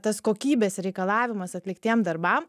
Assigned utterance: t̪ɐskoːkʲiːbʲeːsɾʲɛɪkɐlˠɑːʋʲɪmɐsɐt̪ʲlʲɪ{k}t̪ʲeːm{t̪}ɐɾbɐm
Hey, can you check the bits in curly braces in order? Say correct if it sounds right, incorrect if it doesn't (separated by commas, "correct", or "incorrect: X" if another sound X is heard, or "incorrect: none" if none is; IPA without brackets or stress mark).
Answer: correct, incorrect: d̪